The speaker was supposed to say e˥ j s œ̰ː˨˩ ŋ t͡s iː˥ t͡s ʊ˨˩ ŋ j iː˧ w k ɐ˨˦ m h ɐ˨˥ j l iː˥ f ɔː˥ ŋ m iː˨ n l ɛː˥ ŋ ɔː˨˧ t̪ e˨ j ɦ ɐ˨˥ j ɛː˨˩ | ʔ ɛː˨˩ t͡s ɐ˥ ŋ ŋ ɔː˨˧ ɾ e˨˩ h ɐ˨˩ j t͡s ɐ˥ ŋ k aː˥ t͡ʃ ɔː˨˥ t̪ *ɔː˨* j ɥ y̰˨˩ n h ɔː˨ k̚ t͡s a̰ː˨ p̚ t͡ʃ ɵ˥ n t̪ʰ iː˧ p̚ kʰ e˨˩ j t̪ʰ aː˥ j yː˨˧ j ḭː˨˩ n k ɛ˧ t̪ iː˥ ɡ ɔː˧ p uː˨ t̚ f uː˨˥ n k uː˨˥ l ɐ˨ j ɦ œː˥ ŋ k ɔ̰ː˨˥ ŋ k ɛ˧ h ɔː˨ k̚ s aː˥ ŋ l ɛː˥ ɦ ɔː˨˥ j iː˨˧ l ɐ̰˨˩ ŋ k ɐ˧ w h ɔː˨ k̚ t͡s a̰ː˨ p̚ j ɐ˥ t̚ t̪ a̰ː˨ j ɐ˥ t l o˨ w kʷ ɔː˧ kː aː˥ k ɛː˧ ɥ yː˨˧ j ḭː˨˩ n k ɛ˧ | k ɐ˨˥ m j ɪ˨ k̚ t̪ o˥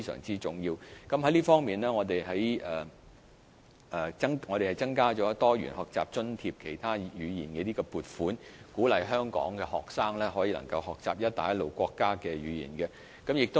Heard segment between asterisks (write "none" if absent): ɔː˥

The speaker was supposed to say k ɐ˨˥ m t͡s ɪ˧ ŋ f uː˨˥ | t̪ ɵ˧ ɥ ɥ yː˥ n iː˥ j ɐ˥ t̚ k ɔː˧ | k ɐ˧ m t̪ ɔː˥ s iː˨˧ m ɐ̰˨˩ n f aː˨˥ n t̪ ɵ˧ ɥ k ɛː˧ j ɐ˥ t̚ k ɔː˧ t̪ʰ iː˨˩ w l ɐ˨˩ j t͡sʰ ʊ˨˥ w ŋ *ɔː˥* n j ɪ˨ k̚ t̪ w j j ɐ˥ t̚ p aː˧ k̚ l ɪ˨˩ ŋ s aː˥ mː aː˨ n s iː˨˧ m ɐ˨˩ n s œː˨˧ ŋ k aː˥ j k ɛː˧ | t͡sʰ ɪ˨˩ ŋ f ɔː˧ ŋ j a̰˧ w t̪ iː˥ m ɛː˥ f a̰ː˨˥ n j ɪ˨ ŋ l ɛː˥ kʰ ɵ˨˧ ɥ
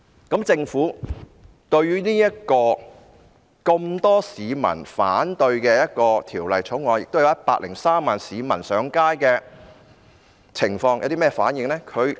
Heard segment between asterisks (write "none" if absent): ɔː˨˧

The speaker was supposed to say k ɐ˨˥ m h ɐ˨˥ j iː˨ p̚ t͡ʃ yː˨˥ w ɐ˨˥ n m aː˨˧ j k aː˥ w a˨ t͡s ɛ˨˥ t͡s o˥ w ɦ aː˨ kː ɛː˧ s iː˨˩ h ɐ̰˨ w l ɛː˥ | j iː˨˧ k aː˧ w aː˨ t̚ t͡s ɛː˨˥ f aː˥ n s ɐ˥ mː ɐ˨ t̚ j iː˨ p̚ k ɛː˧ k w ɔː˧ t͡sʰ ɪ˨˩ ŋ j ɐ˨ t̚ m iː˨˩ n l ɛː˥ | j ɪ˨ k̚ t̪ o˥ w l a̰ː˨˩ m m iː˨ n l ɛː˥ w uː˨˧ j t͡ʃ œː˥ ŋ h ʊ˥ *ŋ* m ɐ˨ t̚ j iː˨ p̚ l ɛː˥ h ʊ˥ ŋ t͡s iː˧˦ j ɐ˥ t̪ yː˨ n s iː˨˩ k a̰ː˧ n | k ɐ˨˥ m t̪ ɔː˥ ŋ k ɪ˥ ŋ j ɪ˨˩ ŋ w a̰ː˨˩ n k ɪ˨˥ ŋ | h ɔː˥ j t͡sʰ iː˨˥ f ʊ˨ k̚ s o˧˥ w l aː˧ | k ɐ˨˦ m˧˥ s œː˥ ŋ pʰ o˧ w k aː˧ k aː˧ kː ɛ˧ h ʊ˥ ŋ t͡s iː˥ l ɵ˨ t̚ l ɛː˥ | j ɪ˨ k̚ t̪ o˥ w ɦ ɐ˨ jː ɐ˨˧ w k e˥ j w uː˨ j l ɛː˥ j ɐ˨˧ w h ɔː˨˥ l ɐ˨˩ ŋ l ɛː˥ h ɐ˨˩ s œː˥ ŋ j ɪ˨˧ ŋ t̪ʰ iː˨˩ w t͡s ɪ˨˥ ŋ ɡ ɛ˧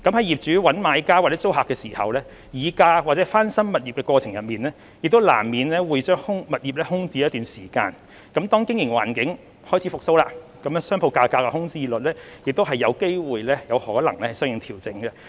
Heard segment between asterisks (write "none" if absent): ŋ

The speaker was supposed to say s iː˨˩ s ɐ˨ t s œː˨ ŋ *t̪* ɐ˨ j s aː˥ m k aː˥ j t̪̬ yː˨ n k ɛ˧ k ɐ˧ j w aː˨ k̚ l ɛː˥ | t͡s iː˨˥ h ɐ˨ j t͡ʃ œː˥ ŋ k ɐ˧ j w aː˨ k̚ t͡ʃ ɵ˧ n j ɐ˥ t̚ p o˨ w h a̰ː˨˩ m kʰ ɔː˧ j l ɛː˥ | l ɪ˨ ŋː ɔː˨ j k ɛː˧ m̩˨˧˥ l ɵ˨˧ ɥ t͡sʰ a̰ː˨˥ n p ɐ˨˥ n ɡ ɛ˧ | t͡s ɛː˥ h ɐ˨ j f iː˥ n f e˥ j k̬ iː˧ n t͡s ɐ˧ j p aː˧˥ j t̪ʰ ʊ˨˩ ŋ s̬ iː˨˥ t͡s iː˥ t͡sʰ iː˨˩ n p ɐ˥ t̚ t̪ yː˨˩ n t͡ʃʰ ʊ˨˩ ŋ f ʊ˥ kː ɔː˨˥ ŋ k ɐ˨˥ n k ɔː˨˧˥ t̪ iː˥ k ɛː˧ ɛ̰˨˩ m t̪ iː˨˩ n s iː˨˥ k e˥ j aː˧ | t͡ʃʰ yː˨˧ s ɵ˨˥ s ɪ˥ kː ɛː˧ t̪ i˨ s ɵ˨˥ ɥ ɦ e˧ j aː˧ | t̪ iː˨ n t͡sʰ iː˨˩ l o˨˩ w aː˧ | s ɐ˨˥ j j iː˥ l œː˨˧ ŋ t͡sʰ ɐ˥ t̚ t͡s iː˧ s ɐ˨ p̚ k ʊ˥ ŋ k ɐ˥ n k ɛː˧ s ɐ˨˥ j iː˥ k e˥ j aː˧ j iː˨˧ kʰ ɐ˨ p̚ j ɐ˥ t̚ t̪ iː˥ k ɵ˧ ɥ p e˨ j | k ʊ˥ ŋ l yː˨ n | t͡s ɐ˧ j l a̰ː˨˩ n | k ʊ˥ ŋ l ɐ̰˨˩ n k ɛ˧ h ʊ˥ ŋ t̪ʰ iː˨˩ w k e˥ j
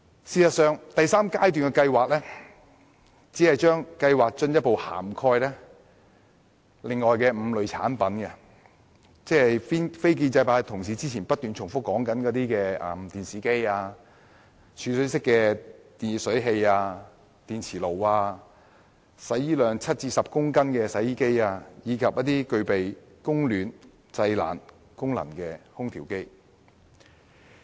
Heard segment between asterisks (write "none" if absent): t̪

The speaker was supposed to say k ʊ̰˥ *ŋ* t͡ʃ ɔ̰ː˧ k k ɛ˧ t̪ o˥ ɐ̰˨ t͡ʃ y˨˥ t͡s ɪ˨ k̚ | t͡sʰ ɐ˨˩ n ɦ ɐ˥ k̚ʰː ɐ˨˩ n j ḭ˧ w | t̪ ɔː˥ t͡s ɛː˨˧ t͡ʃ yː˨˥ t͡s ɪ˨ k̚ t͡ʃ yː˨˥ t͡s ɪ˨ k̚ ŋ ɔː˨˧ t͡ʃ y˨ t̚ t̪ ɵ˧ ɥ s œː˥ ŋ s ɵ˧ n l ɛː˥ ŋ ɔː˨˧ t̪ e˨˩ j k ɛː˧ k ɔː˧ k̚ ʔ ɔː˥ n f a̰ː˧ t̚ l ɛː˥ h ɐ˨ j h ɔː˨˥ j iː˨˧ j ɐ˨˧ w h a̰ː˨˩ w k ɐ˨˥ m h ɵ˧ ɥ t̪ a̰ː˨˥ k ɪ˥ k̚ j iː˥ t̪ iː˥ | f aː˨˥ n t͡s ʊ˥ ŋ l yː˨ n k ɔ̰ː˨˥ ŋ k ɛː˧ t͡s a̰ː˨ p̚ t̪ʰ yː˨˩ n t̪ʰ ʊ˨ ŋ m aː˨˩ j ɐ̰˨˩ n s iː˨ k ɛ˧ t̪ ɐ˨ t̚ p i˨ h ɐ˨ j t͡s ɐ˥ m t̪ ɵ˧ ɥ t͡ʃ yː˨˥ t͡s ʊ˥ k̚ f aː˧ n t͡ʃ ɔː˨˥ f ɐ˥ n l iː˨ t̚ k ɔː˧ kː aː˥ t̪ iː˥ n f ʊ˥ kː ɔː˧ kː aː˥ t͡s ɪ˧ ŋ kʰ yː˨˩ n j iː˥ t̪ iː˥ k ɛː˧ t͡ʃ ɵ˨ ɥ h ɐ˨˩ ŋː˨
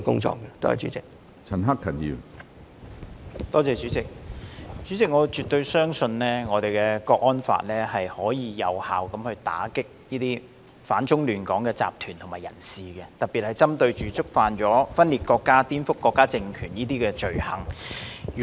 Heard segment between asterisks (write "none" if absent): ŋ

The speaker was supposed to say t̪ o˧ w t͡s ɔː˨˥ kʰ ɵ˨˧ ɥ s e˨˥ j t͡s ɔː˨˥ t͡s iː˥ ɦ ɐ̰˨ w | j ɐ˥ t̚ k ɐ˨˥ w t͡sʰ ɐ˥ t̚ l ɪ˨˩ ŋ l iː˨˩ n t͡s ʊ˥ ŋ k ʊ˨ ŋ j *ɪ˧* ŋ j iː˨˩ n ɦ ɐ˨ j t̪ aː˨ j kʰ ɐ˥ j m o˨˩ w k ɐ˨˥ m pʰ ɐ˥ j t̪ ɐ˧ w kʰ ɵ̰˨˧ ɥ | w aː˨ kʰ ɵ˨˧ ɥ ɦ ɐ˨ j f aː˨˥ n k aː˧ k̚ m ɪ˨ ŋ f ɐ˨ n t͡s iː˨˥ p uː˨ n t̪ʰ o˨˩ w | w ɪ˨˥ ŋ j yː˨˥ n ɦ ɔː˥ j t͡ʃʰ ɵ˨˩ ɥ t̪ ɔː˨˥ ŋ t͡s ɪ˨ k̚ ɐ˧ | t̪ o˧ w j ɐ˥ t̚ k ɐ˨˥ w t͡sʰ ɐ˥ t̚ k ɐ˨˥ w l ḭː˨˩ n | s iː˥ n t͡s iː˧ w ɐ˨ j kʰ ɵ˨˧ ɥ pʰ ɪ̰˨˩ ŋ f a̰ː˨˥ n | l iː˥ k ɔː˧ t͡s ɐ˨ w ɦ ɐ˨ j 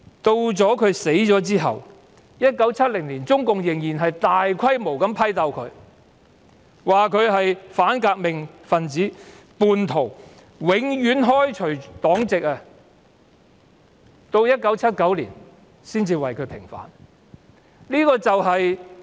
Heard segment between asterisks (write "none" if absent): ɪ˨˩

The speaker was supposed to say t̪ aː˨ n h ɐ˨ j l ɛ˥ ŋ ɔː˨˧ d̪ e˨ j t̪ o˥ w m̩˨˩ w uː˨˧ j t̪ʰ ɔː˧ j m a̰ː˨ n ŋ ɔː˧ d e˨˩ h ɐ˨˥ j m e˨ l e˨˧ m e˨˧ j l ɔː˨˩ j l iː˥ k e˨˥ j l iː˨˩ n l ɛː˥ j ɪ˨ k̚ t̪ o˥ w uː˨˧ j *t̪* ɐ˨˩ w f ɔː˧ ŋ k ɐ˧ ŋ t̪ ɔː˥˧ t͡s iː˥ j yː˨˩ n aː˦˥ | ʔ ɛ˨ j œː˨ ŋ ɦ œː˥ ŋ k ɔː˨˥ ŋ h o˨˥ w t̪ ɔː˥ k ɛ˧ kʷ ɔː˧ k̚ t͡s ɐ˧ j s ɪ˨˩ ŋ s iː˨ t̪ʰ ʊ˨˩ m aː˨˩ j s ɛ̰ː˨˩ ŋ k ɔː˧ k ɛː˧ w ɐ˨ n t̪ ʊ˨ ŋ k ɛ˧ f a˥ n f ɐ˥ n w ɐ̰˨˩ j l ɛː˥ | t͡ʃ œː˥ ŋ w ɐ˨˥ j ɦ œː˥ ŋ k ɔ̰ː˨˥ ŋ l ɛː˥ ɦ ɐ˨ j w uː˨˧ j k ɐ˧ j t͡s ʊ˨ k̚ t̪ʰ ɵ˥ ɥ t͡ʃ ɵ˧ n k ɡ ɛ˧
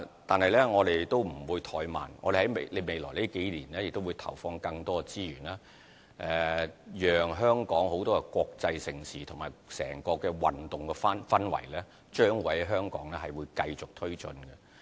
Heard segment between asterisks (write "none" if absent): t̪ʰ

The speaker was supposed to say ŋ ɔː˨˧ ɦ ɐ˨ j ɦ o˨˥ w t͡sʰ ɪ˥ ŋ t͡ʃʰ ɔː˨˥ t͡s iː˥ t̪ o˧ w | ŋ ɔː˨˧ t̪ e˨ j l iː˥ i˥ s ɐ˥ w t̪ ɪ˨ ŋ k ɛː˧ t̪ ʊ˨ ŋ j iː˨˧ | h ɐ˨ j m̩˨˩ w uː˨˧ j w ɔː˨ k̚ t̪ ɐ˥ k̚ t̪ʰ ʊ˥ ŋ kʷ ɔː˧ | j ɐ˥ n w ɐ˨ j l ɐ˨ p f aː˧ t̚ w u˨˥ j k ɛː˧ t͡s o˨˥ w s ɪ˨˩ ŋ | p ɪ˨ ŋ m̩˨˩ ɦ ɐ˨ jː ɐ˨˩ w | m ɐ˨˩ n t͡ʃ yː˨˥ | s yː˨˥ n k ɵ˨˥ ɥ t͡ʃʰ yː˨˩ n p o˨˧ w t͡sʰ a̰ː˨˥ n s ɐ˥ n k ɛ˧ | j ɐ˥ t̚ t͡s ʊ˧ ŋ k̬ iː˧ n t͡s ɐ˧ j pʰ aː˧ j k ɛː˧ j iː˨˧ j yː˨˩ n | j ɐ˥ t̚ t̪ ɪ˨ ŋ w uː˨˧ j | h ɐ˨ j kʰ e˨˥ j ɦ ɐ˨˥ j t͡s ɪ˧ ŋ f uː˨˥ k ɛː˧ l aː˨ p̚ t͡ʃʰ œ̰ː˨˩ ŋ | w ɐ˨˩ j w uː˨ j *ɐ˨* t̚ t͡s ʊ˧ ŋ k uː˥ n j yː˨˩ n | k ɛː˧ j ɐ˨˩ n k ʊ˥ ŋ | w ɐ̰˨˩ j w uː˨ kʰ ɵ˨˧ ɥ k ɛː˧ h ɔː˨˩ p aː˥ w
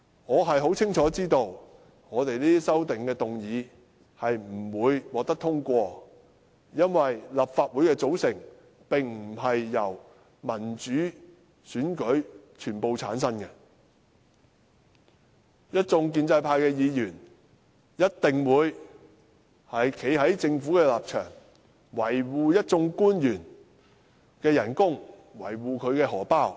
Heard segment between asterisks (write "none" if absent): ɐ˥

